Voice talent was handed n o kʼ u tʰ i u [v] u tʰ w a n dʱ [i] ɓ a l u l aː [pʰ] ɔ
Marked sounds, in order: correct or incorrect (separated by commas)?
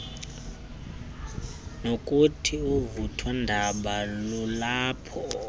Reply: correct, incorrect, correct